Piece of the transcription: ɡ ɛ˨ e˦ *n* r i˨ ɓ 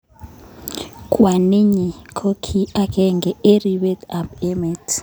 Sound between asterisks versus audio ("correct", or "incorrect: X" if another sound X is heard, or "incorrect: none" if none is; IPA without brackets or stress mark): incorrect: none